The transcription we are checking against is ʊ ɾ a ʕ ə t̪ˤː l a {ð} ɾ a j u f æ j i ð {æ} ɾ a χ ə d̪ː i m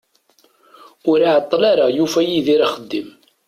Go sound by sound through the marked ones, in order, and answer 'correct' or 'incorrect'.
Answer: incorrect, incorrect

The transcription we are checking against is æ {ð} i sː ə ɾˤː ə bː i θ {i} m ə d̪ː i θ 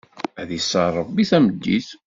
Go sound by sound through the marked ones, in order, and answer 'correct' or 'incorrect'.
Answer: correct, incorrect

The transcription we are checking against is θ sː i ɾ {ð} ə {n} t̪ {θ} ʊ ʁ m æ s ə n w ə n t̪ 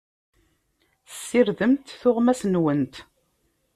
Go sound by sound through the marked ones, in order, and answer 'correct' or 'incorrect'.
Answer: correct, incorrect, correct

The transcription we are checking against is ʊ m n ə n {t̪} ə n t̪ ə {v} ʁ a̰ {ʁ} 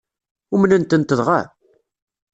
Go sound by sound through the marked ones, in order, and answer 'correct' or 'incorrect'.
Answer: correct, incorrect, incorrect

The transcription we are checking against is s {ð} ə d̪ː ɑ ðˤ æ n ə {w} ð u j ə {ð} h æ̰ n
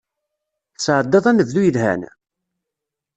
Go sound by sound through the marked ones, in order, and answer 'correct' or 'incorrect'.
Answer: incorrect, incorrect, correct

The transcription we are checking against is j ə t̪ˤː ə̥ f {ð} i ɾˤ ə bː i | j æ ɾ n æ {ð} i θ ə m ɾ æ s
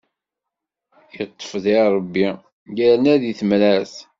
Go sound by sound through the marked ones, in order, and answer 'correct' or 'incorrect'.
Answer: correct, correct

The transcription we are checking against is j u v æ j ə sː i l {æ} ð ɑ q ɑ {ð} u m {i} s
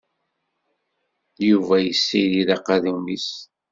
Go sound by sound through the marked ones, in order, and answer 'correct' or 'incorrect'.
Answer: incorrect, correct, correct

